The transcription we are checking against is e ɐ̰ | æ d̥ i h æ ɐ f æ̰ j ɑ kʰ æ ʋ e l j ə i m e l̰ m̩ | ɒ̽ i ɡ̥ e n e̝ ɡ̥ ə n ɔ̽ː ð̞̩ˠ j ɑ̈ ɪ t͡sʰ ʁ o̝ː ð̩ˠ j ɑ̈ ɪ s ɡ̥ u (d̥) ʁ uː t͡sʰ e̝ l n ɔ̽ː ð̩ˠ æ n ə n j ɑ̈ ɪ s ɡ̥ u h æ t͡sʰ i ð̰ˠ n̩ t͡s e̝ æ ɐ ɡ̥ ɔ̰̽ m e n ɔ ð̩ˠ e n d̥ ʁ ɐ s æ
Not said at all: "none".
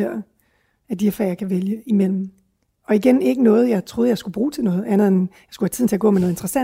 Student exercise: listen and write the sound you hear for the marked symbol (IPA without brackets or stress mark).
b̥